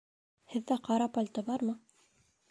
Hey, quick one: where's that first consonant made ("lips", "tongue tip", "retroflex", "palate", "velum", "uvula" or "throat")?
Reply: throat